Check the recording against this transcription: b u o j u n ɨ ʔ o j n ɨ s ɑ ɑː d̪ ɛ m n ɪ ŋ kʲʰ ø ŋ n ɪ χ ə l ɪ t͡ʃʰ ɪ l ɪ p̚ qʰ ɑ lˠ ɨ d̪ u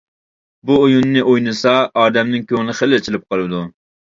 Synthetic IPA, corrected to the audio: b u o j u nː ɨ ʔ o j n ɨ s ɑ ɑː d̪ ɛ m n ɪ ŋ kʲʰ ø ŋ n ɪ χ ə l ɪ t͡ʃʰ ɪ l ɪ p̚ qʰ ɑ lˠ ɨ d̪ u